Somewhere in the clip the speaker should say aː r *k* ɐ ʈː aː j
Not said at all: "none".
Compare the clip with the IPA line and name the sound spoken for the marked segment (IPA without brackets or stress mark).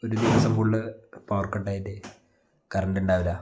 k